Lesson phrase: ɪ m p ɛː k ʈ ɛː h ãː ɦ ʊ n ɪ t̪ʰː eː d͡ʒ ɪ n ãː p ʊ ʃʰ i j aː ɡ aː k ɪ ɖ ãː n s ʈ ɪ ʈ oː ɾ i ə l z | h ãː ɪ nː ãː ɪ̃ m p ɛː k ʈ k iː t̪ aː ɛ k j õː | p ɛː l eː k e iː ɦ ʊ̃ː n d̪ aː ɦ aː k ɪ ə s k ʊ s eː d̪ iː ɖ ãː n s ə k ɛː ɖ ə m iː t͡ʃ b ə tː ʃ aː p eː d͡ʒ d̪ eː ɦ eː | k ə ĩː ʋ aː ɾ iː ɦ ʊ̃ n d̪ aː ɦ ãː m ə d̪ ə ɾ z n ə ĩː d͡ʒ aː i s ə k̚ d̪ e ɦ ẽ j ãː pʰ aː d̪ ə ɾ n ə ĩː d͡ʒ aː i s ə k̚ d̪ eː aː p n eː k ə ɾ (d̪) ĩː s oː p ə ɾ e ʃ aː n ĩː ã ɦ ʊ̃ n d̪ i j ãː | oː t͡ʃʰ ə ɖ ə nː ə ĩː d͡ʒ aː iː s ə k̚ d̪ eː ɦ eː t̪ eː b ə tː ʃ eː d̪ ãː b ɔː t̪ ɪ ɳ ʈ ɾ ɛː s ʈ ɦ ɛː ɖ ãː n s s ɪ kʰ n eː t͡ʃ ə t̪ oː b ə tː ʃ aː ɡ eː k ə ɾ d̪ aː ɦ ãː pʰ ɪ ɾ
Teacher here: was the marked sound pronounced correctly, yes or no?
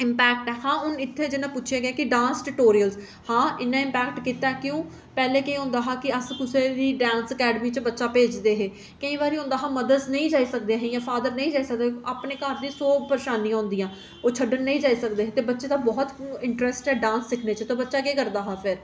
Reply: yes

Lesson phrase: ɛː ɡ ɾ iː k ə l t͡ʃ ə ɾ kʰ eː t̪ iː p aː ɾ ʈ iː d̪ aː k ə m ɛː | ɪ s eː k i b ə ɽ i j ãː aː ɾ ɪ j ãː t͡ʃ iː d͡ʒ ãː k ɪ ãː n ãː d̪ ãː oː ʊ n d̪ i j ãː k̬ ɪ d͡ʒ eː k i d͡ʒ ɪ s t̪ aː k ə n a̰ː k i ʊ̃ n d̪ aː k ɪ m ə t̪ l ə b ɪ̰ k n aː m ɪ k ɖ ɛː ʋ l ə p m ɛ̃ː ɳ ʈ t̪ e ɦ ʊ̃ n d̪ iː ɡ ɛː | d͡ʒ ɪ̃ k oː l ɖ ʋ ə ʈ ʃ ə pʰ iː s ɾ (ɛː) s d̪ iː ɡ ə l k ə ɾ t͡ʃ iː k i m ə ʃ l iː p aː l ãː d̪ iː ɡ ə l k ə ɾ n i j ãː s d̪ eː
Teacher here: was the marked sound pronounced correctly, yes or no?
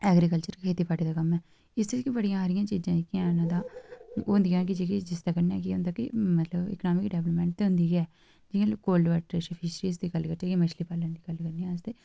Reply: no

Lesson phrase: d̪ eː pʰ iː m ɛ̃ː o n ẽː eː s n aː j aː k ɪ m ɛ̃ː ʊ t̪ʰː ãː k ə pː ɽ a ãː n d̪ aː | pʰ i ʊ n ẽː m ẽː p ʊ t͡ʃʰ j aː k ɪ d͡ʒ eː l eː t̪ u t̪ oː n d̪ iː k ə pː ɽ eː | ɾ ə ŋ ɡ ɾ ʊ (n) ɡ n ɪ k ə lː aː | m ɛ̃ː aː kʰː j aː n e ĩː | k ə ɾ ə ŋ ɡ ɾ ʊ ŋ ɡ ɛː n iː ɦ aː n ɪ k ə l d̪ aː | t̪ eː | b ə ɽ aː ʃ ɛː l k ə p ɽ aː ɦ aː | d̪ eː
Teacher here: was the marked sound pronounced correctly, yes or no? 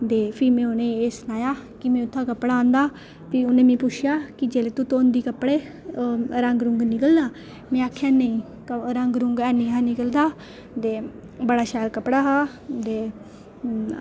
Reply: no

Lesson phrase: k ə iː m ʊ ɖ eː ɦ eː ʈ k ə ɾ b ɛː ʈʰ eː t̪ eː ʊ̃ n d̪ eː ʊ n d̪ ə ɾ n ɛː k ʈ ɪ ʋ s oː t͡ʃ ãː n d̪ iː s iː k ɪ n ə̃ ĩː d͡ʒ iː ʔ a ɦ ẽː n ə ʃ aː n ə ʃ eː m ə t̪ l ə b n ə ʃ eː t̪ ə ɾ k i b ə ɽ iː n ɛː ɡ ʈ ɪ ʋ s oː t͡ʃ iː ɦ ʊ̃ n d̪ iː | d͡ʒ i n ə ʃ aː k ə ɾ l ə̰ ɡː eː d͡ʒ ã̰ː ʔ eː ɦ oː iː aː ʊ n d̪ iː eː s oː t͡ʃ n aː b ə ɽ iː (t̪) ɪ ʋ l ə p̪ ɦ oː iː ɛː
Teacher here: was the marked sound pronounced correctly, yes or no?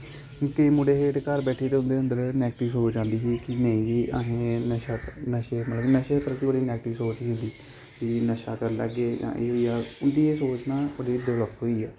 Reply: no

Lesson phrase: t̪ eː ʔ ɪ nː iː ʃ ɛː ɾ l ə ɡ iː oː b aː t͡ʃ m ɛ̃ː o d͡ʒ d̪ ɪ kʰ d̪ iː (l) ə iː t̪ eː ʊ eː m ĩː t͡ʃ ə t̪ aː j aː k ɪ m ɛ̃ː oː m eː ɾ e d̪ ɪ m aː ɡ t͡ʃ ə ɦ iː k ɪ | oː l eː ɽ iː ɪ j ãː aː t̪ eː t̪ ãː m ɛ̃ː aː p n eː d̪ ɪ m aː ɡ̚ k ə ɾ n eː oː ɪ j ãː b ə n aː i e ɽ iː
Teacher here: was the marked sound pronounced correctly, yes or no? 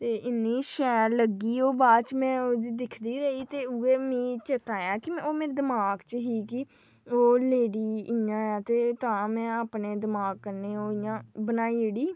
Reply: no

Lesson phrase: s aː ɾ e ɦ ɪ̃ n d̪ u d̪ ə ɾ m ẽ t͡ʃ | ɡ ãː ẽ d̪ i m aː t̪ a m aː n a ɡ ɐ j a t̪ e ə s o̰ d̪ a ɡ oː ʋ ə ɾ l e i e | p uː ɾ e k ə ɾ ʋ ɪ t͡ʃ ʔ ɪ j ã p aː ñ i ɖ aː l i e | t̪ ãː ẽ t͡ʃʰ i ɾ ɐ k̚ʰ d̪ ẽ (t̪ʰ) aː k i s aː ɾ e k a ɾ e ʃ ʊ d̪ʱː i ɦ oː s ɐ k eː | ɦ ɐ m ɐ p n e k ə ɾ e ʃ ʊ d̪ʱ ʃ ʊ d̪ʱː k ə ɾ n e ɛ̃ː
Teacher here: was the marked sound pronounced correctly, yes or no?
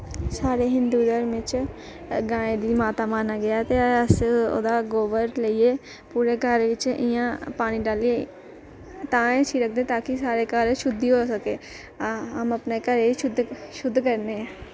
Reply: no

